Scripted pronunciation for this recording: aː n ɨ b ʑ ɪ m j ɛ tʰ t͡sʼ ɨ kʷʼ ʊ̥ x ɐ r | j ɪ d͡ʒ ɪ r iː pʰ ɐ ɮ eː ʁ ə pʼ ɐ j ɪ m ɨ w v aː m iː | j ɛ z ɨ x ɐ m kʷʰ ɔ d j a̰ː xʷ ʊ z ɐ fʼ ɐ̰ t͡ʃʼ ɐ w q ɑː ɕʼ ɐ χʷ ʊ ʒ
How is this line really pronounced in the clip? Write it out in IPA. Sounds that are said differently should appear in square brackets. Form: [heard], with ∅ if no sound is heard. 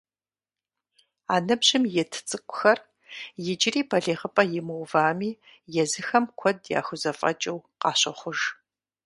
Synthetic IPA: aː n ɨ b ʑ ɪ m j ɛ tʰ t͡sʼ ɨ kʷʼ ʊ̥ x ɐ r | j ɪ d͡ʒ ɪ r iː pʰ ɐ ɮ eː ʁ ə pʼ ɐ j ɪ m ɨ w v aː m iː | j ɛ z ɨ x ɐ m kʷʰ ɔ d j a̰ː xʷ ʊ z ɐ fʼ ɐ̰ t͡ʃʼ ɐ w q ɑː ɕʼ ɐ χʷ ʊ ʒ